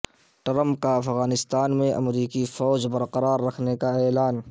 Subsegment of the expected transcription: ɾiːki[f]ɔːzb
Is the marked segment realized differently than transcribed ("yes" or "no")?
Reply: no